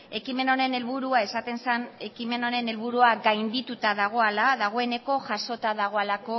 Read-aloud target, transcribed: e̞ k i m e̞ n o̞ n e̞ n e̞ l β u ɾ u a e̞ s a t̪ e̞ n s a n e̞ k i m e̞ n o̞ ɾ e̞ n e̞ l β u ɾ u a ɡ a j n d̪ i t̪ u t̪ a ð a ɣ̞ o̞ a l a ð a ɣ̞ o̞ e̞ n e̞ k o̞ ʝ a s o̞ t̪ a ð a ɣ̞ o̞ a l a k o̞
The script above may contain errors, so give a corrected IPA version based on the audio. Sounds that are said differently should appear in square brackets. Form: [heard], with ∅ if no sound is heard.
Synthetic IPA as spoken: e̞ k i m e̞ n o̞ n e̞ n e̞ l β u ɾ u a e̞ s a t̪ e̞ n s a n e̞ k i m e̞ n o̞ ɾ e̞ n e̞ l β u ɾ u a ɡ a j n d̪ i t̪ u t̪ a ð a ɣ̞ o̞ a l a ð a ɣ̞ o̞ e̞ n e̞ k o̞ ʝ a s o̞ t̪ a ð a ɣ̞ o̞ a l a k o̞